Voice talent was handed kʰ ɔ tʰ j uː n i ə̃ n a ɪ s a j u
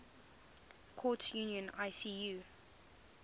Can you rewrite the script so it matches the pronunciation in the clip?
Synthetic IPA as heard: kʰ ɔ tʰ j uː n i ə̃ n a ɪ s i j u